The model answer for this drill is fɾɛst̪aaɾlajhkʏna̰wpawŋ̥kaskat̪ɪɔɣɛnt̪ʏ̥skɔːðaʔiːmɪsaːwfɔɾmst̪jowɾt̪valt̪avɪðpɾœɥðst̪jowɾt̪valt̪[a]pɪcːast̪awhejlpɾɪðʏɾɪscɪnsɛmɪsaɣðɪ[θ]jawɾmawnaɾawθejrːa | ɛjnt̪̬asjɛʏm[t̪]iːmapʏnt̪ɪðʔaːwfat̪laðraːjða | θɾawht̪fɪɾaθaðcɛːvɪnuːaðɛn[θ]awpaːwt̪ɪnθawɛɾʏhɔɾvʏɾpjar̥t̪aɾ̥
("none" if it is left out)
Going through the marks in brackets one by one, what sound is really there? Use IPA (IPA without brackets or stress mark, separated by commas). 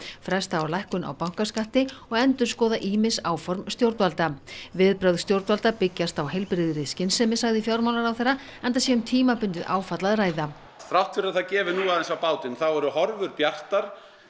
a, f, t̪ʰ, s